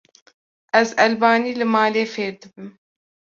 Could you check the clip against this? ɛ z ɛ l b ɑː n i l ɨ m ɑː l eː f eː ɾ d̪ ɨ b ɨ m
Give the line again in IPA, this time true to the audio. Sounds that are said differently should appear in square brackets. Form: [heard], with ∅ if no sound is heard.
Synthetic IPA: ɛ z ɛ l b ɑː n [iː] l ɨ m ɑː l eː f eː ɾ d̪ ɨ b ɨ m